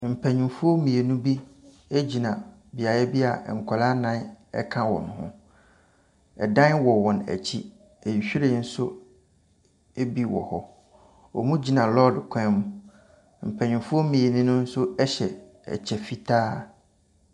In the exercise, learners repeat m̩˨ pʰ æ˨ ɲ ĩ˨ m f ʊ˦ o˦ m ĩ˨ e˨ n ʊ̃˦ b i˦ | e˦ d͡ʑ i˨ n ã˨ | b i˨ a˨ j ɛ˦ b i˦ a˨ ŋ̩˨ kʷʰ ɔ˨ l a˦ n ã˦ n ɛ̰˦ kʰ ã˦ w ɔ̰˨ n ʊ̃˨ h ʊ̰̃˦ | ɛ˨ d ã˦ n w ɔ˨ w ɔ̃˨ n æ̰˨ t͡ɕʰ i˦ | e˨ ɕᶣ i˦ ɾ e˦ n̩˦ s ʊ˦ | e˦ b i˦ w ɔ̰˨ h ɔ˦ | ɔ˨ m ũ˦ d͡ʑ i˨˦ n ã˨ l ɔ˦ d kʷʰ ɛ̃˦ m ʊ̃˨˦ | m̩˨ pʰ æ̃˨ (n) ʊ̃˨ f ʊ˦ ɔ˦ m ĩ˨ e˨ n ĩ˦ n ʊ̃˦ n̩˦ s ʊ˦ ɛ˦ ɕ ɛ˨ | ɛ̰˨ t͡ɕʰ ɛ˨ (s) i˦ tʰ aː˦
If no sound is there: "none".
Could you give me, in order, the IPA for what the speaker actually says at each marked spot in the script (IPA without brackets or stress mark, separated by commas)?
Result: ɲ, f